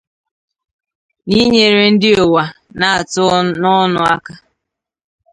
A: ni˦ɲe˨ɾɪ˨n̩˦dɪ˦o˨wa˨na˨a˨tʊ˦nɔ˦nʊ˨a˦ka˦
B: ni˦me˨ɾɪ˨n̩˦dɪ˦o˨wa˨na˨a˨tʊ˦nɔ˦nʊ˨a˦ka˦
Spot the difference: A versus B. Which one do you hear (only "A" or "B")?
A